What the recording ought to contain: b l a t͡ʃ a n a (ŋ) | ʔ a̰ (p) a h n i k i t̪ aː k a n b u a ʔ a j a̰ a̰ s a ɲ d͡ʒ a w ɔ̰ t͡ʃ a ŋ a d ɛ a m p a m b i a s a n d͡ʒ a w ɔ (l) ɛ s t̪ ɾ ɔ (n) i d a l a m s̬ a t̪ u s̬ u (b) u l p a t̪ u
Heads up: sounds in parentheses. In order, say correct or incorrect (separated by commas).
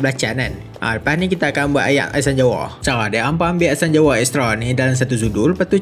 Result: incorrect, correct, incorrect, correct, incorrect